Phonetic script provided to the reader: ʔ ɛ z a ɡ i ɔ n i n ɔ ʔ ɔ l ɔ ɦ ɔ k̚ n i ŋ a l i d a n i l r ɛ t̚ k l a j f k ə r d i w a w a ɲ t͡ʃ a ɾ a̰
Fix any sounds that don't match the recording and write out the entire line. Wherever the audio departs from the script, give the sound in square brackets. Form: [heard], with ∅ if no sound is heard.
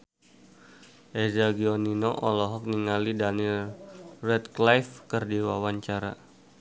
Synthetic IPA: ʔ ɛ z a ɡ i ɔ n i n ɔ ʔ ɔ l ɔ ɦ ɔ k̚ n i ŋ a l i d a n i l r ɛ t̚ k l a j f k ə r d i w a w a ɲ t͡ʃ a ɾ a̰